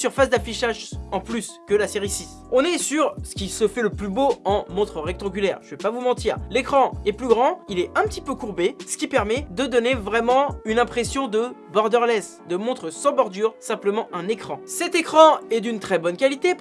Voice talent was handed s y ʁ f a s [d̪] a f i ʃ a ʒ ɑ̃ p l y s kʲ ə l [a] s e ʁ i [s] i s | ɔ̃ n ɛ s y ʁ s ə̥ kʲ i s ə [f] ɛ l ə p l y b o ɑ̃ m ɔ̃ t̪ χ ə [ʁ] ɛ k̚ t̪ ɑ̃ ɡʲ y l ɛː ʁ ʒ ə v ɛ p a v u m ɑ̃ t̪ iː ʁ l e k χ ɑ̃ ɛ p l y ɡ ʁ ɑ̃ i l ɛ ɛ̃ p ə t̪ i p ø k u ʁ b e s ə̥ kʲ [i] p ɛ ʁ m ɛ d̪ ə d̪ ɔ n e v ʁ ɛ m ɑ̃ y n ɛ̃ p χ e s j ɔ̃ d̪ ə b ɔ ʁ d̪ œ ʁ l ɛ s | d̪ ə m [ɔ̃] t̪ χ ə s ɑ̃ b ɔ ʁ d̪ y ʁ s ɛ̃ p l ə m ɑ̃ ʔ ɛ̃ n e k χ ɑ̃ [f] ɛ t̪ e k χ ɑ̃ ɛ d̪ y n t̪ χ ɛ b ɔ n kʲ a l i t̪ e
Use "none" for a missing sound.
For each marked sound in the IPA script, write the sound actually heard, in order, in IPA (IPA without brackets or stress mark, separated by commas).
d̪, a, s, f, ʁ, i, ɔ̃, s